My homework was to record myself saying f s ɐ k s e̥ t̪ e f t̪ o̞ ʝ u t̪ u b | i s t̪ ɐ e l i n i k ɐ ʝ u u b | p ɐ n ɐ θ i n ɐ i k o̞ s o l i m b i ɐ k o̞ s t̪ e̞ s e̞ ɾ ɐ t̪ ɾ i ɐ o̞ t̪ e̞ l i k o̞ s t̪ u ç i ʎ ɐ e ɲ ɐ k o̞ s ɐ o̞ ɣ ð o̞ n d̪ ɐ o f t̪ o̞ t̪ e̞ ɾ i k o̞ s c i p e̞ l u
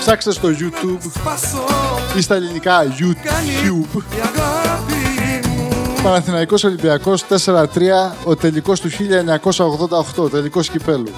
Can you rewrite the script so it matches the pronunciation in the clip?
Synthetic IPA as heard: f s ɐ k s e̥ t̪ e s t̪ o̞ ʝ u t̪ u b | i s t̪ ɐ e l i n i k ɐ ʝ u u b | p ɐ n ɐ θ i n ɐ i k o̞ s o l i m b i ɐ k o̞ s t̪ e̞ s e̞ ɾ ɐ t̪ ɾ i ɐ o̞ t̪ e̞ l i k o̞ s t̪ u ç i ʎ ɐ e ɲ ɐ k o̞ s ɐ o̞ ɣ ð o̞ n d̪ ɐ o x t̪ o̞ t̪ e̞ l i k o̞ s c i p e̞ l u